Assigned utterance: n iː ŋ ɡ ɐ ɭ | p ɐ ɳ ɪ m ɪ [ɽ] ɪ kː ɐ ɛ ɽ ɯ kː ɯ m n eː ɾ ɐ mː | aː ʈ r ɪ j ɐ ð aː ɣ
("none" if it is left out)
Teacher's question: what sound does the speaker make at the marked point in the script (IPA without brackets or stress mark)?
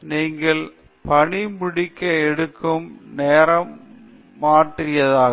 ɽ